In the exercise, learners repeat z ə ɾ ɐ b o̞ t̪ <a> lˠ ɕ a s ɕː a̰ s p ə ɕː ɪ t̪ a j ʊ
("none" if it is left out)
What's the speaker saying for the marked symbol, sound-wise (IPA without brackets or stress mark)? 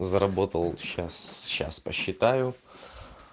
ə